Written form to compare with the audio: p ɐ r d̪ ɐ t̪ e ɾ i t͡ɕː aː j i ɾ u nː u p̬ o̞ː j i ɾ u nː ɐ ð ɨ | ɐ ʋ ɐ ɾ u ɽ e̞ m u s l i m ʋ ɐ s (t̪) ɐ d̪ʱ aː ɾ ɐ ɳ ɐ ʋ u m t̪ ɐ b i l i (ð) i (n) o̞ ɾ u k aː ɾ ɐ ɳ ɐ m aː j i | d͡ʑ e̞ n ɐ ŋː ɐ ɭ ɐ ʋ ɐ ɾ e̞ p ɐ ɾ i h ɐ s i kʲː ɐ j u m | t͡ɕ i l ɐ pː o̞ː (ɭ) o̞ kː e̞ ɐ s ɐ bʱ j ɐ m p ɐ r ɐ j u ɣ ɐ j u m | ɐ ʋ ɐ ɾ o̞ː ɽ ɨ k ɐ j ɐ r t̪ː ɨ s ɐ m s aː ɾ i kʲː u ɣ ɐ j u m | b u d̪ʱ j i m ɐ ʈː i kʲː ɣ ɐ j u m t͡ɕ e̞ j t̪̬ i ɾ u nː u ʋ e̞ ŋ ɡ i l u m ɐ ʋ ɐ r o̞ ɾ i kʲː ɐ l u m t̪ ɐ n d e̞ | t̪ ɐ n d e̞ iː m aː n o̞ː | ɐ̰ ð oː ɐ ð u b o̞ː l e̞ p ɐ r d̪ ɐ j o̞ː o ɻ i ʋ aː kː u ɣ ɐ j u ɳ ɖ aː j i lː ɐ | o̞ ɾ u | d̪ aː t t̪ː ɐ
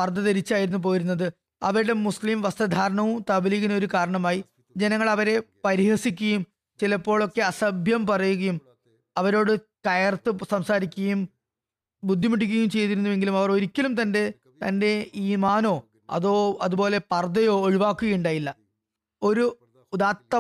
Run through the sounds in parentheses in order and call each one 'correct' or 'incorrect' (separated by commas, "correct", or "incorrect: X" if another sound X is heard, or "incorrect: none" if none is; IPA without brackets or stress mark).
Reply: correct, incorrect: ɣ, correct, correct